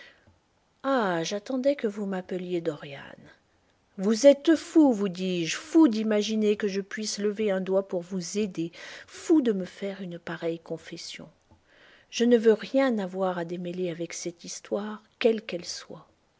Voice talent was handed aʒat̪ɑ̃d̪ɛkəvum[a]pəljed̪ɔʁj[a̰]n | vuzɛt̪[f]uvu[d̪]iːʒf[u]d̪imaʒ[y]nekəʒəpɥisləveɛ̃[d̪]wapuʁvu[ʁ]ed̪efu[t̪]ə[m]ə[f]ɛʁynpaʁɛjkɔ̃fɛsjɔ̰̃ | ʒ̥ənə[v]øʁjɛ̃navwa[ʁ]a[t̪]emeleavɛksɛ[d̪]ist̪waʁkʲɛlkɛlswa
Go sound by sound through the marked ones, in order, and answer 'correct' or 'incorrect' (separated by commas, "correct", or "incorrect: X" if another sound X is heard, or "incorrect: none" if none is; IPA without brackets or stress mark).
correct, correct, correct, correct, correct, incorrect: i, correct, incorrect: z, incorrect: d̪, correct, correct, correct, correct, incorrect: d̪, incorrect: t̪